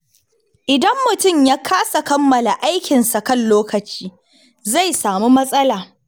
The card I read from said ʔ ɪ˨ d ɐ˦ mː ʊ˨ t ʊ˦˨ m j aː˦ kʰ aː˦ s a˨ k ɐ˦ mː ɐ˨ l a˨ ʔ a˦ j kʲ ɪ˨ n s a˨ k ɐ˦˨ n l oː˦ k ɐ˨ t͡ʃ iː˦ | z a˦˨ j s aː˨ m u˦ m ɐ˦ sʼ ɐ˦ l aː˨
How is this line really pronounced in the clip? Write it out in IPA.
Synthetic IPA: ʔ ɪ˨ d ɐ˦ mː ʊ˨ t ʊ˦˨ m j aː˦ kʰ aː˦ s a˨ k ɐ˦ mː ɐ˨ l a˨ ʔ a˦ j kʲ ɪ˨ n s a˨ k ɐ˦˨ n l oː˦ k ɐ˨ t͡ʃ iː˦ | z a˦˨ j s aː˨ m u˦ m ɐ˦ sʼ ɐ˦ l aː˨